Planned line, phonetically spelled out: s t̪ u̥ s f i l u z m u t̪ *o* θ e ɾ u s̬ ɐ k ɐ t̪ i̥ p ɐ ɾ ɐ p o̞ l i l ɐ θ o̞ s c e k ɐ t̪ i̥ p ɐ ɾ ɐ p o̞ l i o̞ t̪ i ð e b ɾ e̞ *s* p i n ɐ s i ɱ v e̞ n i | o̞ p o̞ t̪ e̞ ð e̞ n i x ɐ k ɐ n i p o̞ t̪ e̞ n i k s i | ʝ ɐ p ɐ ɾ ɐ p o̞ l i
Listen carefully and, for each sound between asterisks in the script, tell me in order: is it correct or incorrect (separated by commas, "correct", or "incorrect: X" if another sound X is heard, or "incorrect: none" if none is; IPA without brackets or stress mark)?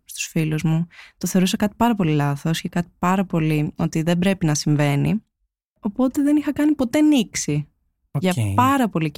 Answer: correct, incorrect: none